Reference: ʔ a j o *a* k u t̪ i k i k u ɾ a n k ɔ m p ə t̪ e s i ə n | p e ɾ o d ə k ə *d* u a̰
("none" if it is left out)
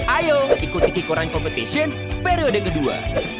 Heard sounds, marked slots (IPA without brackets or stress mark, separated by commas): i, d